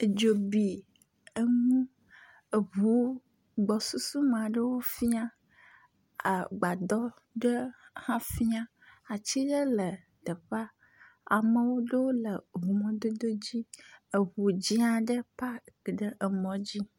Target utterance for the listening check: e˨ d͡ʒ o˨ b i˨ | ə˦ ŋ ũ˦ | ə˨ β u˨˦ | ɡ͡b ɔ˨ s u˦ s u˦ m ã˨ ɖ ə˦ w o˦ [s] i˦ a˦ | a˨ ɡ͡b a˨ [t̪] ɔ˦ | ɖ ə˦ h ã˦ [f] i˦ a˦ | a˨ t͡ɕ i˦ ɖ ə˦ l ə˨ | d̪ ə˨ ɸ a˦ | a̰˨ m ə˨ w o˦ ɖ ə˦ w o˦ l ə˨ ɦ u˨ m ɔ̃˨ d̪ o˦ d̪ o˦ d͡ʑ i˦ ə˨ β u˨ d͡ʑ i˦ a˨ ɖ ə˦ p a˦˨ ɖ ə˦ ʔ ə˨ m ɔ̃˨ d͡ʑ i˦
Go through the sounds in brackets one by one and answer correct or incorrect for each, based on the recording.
incorrect, incorrect, correct

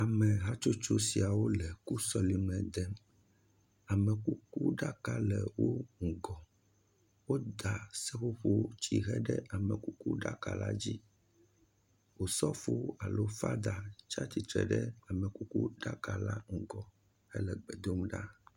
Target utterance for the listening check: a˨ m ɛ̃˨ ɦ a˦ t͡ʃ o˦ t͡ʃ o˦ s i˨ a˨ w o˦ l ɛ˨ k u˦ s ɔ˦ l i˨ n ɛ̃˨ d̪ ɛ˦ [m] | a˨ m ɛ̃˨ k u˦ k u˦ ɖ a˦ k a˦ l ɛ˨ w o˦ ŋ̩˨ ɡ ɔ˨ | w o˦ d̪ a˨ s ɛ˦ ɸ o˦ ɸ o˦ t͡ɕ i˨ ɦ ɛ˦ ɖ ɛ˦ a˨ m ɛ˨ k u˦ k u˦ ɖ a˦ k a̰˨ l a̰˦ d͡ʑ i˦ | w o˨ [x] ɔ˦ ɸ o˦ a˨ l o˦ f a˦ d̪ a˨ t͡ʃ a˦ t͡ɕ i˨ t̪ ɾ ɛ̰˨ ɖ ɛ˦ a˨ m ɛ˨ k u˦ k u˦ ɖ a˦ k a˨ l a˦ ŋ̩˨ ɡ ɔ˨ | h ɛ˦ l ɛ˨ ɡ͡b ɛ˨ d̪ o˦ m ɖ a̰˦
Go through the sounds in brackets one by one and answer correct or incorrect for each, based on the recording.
correct, incorrect

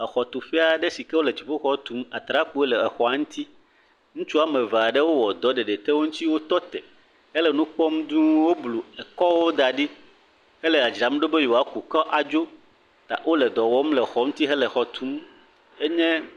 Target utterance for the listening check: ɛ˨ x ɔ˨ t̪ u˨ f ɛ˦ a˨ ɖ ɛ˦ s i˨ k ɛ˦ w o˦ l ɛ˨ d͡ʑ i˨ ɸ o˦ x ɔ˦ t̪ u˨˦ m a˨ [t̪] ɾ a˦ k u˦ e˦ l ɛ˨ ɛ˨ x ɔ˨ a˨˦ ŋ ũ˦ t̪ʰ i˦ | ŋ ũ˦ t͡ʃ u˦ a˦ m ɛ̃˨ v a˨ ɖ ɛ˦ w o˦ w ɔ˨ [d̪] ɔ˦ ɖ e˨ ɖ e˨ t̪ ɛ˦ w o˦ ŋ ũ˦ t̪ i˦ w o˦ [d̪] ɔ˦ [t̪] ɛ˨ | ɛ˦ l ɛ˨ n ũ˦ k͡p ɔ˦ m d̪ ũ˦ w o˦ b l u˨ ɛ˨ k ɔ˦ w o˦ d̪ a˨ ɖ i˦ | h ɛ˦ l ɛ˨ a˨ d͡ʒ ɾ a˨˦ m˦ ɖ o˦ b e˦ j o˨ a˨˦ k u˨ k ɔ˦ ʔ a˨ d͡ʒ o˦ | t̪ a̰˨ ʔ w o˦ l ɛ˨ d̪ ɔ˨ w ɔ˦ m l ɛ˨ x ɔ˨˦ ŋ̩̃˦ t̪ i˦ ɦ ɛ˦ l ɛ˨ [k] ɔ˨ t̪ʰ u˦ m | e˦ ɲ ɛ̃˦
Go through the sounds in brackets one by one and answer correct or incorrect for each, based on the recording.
correct, correct, incorrect, correct, incorrect

